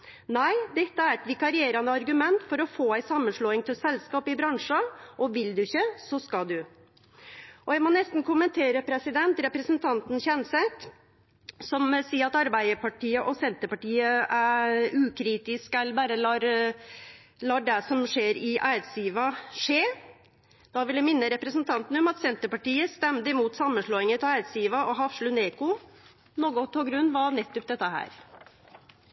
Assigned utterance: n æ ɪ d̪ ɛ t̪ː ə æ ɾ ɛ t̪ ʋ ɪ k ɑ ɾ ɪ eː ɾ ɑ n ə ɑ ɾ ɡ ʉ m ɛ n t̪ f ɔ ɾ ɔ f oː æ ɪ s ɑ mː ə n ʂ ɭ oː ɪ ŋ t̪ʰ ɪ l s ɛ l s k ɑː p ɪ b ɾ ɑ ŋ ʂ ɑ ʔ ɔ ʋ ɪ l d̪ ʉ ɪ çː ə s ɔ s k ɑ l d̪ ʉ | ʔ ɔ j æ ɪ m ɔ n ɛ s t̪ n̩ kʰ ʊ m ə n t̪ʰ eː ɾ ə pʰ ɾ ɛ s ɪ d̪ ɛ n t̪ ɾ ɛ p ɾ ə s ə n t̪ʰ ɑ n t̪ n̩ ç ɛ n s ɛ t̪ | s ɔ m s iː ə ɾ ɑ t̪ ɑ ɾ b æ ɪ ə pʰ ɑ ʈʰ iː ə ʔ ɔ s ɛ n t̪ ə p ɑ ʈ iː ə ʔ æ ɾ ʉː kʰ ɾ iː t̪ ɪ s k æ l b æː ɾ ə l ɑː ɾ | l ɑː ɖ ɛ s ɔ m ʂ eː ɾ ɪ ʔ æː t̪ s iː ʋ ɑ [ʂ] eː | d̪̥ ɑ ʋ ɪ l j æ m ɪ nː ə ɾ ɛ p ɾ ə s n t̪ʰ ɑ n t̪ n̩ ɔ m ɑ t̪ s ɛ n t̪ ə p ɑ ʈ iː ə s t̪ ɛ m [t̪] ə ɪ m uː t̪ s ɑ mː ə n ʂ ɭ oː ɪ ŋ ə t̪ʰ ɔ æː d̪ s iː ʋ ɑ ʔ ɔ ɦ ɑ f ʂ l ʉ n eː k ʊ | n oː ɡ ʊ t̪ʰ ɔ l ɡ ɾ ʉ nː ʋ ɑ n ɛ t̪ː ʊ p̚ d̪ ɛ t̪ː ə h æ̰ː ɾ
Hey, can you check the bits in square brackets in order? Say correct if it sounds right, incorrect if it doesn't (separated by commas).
correct, incorrect